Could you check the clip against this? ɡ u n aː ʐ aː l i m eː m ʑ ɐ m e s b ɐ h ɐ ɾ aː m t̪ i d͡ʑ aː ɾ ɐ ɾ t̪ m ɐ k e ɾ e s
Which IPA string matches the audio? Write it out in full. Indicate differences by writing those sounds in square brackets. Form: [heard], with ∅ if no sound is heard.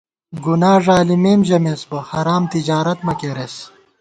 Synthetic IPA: ɡ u n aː ʐ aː l i m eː m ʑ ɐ m e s b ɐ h ɐ ɾ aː m t̪ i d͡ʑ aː ɾ ɐ [∅] t̪ m ɐ k e ɾ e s